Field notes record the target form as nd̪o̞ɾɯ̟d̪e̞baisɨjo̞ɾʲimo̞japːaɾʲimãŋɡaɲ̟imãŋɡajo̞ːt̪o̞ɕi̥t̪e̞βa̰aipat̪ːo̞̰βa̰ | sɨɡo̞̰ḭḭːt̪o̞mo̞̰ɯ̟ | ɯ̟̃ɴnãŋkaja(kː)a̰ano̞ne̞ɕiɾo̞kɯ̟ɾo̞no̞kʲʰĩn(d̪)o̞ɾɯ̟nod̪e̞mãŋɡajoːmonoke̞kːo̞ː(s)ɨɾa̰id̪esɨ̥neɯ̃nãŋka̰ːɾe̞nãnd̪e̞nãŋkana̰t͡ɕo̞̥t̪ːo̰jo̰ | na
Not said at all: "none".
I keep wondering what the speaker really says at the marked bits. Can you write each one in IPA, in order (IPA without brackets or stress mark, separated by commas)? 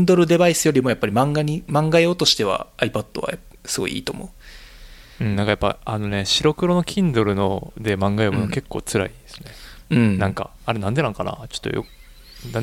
pː, d̪, t͡s